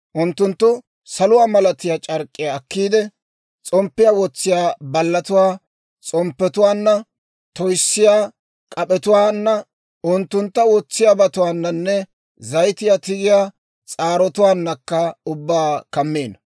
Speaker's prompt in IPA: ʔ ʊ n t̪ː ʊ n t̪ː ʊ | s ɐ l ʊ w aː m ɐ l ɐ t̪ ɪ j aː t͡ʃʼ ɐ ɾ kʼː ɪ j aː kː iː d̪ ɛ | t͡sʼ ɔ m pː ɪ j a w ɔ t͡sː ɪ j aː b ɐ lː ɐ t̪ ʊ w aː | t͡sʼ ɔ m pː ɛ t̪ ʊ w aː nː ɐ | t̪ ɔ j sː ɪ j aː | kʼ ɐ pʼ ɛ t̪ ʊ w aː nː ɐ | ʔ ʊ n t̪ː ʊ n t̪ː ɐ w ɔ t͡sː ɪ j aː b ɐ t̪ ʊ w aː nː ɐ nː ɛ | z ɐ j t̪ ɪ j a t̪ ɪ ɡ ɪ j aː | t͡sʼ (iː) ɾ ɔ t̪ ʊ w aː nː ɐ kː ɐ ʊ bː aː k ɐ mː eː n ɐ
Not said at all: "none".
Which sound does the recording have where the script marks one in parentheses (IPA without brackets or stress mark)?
aː